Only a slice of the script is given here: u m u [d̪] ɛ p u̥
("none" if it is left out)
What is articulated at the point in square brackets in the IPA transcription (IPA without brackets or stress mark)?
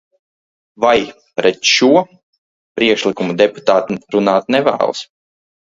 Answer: d̪